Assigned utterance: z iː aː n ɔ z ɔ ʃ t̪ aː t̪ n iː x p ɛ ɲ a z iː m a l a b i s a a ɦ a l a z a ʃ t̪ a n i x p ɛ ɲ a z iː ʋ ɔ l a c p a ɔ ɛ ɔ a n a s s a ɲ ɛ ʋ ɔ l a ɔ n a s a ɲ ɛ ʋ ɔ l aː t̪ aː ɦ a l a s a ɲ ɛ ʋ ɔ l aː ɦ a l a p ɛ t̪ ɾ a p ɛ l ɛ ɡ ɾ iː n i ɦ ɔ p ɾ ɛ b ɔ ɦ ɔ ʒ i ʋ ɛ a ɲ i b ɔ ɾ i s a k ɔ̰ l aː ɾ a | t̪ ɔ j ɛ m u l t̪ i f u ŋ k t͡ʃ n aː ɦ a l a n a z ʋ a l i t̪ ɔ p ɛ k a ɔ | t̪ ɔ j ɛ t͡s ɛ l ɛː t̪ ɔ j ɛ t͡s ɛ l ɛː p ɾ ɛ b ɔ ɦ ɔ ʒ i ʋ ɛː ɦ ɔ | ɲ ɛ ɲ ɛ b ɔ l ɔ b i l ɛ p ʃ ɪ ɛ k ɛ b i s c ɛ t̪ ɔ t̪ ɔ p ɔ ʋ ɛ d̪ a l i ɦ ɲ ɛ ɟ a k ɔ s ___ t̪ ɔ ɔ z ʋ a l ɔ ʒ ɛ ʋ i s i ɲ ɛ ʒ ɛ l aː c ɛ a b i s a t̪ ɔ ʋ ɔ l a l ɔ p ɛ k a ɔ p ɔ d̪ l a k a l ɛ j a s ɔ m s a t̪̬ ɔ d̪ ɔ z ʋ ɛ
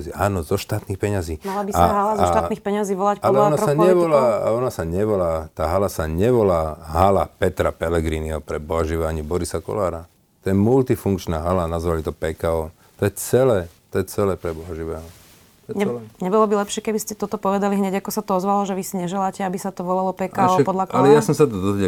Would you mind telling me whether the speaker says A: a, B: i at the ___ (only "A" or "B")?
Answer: A